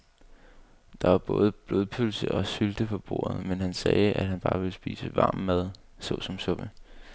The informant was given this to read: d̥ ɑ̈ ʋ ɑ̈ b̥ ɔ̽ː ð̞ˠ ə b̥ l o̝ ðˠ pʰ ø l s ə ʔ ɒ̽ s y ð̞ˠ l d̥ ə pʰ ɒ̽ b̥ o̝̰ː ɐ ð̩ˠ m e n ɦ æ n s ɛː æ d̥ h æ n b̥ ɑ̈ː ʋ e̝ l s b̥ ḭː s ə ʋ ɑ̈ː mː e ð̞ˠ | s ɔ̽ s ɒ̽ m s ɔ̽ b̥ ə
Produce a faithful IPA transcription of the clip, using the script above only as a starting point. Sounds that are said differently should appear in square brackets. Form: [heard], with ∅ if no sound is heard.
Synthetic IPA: d̥ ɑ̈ ʋ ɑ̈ b̥ ɔ̽ː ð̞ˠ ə b̥ l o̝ ðˠ pʰ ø l s ə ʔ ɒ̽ s y [∅] l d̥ ə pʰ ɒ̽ b̥ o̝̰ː ɐ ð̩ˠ m e n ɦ æ n s ɛː æ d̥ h æ n b̥ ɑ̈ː ʋ e̝ l s b̥ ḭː s ə ʋ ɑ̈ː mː [æ] ð̞ˠ | s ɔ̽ s ɒ̽ m s ɔ̽ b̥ ə